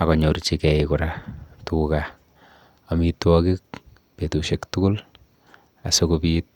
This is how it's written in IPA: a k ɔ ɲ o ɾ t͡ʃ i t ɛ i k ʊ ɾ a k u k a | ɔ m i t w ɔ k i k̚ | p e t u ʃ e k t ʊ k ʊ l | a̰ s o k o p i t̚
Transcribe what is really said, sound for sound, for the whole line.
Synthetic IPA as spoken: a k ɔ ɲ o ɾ t͡ʃ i k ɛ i k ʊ ɾ a t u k a | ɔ m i t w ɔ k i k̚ | p e t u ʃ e k t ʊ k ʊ l | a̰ s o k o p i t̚